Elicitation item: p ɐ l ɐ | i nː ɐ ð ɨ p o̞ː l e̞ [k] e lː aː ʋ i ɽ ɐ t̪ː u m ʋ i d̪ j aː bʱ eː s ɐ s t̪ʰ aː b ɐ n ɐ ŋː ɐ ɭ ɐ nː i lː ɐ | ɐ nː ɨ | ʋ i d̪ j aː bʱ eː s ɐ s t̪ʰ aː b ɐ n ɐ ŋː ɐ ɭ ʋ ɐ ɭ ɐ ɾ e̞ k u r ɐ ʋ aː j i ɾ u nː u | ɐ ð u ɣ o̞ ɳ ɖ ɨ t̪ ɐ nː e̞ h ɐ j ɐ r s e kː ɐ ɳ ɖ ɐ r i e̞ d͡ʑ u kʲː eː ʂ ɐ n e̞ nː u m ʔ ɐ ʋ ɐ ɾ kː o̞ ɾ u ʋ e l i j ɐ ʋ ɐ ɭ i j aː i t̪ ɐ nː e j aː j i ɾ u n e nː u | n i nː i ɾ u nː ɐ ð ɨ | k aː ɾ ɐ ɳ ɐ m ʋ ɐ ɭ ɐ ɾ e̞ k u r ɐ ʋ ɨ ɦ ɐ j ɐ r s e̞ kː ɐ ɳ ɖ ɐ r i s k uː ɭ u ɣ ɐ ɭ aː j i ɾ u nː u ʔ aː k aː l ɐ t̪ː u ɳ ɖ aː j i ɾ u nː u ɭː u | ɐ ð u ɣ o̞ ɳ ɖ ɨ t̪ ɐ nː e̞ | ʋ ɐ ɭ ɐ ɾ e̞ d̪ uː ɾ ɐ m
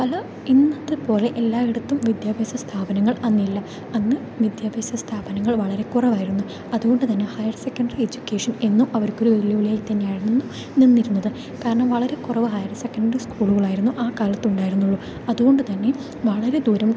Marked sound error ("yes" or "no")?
yes